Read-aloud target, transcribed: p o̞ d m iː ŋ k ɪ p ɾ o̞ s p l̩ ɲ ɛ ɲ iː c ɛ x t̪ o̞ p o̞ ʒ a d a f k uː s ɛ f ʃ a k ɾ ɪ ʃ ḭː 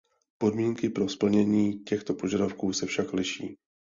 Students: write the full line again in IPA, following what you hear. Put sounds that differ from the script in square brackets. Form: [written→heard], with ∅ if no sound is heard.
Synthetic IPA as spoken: p o̞ d m iː ŋ k ɪ p ɾ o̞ s p l̩ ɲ ɛ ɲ iː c ɛ x t̪ o̞ p o̞ ʒ a d a f k uː s ɛ f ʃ a k [ɾ→l] ɪ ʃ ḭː